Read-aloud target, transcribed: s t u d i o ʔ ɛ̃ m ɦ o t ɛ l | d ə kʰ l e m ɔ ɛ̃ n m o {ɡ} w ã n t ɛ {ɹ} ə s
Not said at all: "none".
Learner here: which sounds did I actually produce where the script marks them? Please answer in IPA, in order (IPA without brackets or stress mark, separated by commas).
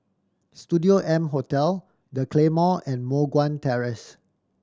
ɡ, ɹ